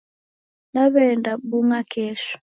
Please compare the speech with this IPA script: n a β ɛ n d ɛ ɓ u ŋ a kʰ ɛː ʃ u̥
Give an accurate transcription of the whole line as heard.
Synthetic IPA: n a β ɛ n d a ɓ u ŋ a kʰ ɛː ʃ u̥